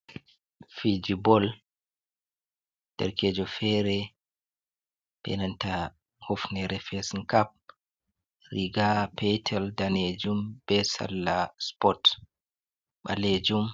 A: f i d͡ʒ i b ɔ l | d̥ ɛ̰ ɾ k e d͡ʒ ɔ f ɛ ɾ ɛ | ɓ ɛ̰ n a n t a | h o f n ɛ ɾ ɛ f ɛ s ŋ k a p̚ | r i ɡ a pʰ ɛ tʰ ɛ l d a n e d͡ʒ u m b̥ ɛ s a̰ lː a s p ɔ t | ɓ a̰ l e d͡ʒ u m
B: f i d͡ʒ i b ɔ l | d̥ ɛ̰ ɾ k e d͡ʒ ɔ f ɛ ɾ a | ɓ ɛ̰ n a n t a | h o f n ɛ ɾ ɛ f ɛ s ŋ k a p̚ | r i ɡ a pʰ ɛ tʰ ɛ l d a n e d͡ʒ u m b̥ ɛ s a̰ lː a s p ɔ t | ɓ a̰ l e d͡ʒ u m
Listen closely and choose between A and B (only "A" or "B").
A